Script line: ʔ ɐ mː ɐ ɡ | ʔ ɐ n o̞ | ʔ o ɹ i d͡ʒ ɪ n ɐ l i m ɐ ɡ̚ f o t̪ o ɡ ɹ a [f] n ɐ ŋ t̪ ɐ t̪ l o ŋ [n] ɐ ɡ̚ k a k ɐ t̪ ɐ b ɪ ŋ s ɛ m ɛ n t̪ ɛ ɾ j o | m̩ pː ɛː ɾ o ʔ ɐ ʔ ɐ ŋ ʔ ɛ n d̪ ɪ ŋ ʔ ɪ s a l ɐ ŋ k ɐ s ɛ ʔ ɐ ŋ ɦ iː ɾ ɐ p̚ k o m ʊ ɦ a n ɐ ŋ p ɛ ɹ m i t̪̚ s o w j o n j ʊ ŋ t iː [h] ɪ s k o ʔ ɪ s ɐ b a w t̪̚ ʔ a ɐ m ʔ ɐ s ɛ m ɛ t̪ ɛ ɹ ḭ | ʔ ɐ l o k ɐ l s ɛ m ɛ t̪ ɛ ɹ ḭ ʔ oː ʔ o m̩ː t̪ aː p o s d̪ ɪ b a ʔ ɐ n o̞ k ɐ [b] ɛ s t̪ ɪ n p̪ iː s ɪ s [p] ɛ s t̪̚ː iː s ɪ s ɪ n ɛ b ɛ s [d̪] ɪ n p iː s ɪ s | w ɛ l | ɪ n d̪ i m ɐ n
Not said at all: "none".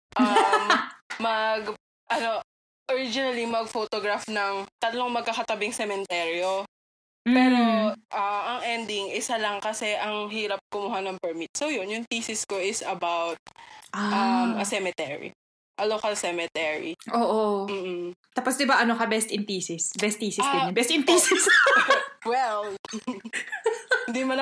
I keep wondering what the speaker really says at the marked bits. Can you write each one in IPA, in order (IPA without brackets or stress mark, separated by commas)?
f, m, s, b, b, t̪